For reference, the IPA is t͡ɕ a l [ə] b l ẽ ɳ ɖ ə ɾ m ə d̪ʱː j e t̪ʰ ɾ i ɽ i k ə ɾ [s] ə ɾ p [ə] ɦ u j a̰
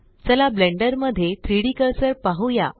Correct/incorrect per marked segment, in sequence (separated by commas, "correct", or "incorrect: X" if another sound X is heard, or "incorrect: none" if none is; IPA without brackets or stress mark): incorrect: a, correct, incorrect: a